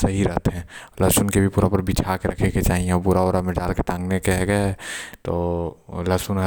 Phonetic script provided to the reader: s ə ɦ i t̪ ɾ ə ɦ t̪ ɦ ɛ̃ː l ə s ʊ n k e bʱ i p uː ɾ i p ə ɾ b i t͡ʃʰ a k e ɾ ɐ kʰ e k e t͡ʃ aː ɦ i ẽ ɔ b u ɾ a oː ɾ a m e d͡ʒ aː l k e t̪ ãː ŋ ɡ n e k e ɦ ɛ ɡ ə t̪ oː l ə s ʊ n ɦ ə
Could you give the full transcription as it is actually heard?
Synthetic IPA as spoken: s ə ɦ i ɾ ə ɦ t̪ ɦ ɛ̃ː l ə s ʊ n k e bʱ i p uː ɾ a p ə ɾ b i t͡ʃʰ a k e ɾ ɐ kʰ e k e t͡ʃ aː ɦ i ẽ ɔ b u ɾ a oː ɾ a m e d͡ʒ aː l k e t̪ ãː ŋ ɡ n e k e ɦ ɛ ɡ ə t̪ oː l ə s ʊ n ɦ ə